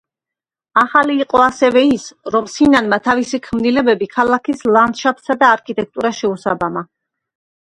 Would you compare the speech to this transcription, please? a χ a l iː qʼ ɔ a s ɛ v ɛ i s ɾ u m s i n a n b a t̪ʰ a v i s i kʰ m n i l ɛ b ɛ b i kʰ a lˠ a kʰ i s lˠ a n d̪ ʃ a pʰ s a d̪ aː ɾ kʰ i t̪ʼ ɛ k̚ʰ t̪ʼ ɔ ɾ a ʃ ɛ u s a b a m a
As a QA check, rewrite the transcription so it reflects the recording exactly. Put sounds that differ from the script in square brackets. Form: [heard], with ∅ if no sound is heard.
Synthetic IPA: a χ a l iː qʼ ɔ a s ɛ v ɛ i s ɾ [ɔ] m s i n a n [m] a t̪ʰ a v i s i kʰ m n i l ɛ b ɛ b i kʰ a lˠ a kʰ i s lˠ a n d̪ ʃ a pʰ s a d̪ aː ɾ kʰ i t̪ʼ ɛ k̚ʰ t̪ʼ [u] ɾ a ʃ ɛ u s a b a m a